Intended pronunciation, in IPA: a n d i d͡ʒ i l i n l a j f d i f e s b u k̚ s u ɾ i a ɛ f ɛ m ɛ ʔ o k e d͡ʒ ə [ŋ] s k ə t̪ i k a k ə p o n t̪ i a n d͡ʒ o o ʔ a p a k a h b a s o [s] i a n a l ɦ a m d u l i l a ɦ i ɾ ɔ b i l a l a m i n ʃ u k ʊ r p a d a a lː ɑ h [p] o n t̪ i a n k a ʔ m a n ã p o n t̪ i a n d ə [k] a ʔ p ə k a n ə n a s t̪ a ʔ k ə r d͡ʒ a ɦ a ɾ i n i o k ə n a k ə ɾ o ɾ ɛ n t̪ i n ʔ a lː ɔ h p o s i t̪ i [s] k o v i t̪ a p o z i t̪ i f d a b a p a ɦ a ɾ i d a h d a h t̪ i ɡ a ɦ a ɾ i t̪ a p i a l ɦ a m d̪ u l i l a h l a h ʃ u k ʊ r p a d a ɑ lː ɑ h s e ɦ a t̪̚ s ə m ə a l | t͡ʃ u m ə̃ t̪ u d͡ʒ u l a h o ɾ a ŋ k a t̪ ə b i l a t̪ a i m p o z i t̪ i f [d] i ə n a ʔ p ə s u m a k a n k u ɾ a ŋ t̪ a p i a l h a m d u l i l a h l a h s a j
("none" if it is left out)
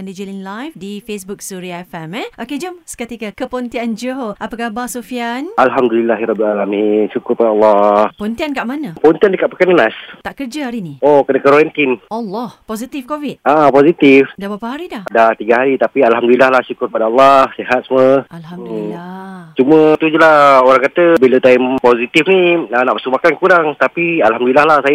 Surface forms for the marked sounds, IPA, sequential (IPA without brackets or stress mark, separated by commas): m, f, p, k, f, n